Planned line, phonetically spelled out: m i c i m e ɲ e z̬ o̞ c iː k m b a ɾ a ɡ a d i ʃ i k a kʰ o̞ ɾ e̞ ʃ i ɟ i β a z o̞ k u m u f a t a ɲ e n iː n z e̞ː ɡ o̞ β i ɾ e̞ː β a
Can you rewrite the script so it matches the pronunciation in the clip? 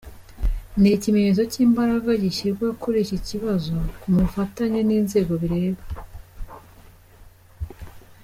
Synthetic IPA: n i c i m e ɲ e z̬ o̞ c iː m b a ɾ a ɡ a ɟ i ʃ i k a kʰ o̞ ɾ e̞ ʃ i c i β a z o̞ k u m u f a t a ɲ e n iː n z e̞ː ɡ o̞ β i ɾ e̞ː β a